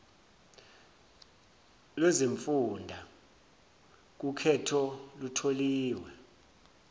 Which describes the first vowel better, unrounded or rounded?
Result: unrounded